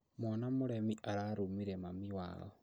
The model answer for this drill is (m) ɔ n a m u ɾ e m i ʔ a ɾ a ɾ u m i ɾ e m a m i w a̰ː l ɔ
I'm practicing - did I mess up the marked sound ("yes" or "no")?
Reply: no